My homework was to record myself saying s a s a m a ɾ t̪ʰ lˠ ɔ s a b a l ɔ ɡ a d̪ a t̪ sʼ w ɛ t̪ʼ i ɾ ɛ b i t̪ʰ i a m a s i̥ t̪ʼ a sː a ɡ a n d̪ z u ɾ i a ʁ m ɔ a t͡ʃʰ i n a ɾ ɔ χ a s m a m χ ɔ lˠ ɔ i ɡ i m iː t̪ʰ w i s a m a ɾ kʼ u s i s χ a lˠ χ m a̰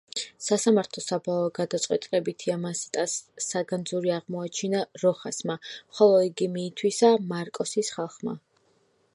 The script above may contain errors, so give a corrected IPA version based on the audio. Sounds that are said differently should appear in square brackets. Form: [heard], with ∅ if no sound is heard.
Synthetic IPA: s a s a m a ɾ t̪ʰ lˠ ɔ s a b a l ɔ ɡ a d̪ a t̪ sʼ w ɛ t̪ʼ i [l] ɛ b i t̪ʰ i a m a s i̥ t̪ʼ a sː a ɡ a n d̪ z u ɾ i a ʁ m ɔ a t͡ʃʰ i n a ɾ ɔ χ a s m a m χ ɔ lˠ ɔ i ɡ i m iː t̪ʰ w i s a m a ɾ kʼ [ɔ] s i s χ a lˠ χ m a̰